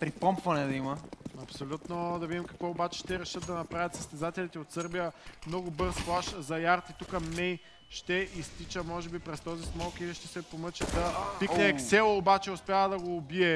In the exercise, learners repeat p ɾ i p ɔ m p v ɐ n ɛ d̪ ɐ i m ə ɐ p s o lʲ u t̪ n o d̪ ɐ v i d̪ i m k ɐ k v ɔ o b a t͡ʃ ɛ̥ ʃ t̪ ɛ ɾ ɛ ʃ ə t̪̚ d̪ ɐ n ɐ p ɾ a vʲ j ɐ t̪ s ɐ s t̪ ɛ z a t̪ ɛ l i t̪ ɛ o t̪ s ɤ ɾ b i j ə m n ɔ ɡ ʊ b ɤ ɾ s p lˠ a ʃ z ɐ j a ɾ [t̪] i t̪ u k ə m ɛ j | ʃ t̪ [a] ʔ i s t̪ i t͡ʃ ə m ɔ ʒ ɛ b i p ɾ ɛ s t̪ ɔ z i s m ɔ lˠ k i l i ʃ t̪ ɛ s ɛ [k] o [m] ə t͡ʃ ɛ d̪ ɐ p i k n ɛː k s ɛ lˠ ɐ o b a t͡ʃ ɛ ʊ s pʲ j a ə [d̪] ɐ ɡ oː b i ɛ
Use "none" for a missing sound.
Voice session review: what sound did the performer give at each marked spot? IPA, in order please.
t̪, ɛ, p, m, d̪

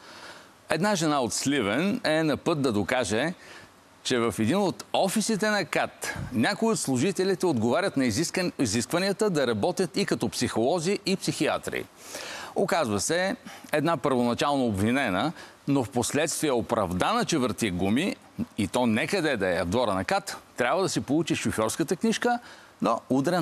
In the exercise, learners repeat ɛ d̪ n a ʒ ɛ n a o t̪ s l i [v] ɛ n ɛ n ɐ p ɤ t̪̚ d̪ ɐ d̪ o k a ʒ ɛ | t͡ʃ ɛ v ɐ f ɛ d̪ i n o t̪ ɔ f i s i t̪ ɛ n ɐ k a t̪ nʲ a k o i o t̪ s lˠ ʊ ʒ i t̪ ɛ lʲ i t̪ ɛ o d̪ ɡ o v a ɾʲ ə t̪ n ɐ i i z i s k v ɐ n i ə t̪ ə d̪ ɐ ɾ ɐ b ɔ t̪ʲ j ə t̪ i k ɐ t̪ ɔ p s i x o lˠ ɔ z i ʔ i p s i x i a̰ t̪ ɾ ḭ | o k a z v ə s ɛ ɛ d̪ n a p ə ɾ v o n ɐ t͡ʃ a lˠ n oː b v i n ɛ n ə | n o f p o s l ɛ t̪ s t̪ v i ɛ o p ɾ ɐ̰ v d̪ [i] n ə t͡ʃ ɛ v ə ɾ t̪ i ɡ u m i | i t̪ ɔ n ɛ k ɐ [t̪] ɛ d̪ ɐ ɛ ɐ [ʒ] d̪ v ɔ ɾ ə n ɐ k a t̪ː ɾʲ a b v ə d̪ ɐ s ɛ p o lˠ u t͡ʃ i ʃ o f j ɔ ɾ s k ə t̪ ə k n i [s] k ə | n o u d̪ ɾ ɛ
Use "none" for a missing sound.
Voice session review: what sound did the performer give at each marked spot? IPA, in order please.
v, a, d̪, v, ʃ

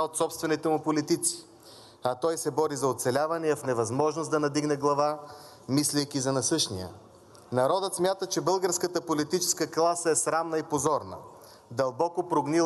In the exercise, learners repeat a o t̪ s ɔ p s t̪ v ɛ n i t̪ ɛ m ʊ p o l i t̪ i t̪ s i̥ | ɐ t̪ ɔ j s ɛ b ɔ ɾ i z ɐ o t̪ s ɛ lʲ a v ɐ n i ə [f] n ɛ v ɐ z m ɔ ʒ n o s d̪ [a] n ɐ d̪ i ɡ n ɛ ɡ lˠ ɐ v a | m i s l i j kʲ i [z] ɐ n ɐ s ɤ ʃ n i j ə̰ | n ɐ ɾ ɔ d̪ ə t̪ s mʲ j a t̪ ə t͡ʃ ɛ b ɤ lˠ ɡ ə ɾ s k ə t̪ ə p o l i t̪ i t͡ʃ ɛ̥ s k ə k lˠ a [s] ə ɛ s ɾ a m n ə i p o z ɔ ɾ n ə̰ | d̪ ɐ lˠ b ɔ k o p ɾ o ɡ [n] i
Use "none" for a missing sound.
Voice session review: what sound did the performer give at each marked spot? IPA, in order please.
f, ɐ, z, s, n

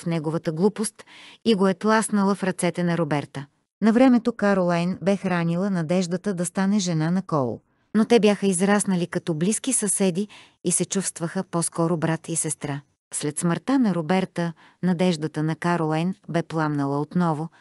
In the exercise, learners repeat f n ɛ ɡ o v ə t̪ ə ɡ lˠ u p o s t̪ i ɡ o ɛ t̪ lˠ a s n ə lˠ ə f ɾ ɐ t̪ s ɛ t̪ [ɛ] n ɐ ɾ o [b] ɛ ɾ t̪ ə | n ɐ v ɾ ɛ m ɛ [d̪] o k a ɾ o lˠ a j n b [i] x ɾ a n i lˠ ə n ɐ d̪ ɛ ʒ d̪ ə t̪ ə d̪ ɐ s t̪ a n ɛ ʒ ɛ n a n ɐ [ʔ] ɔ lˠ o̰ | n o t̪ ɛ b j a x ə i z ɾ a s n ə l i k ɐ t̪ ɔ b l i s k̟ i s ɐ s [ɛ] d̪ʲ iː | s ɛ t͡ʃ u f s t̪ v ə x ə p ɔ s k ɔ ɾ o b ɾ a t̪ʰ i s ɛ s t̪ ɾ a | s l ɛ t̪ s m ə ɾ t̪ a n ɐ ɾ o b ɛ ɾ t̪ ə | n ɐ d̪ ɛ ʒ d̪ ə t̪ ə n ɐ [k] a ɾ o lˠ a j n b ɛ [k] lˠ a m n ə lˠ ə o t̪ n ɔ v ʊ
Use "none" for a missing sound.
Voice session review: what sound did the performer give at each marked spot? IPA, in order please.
ɛ, b, t̪, ɛ, k, ɛ, k, p

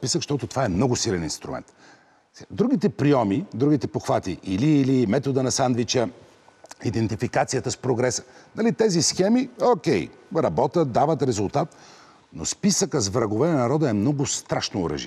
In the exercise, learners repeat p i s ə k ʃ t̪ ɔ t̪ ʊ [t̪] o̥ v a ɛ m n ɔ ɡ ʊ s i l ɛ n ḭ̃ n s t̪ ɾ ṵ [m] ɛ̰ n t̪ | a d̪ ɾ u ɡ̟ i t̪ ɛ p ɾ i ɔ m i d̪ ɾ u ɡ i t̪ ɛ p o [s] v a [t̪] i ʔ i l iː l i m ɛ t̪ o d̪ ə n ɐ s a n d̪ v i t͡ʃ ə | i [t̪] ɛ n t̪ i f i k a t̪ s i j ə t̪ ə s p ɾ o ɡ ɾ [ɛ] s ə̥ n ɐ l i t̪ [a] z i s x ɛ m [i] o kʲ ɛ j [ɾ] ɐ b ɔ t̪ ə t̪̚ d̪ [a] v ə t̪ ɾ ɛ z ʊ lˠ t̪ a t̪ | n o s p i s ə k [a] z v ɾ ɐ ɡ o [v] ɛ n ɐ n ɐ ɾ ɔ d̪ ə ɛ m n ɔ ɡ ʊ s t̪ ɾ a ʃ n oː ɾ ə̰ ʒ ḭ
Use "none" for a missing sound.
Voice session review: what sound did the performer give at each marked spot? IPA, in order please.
t̪, m, x, t̪, d̪, ɛ, ɛ, i, ɾ, a, ə, v

